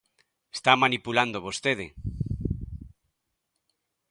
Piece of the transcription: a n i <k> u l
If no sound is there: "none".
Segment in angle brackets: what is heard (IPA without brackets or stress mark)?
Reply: p